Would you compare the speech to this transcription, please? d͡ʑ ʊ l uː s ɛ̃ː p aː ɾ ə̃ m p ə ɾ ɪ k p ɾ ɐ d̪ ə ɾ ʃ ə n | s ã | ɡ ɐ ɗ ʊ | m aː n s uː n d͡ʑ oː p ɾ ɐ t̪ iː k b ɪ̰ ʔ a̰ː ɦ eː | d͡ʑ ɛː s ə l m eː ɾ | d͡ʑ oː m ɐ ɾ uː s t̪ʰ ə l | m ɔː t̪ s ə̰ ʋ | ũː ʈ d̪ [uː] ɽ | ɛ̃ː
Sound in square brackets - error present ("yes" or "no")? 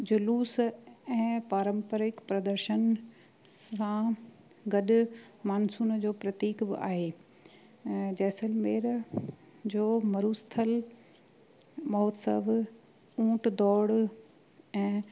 yes